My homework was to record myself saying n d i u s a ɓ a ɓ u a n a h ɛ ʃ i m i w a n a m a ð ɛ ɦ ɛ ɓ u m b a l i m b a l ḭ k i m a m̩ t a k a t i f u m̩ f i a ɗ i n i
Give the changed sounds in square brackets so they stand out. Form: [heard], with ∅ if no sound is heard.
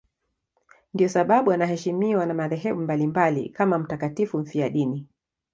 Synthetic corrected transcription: n d i [ɔ] s a ɓ a ɓ u a n a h ɛ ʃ i m i w a n a m a ð ɛ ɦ ɛ ɓ u m b a l i m b a l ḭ k [a] m a m̩ t a k a t i f u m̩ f i a ɗ i n i